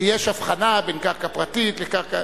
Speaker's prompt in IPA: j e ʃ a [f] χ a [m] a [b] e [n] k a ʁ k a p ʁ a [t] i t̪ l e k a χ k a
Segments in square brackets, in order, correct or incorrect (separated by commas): correct, incorrect, correct, correct, correct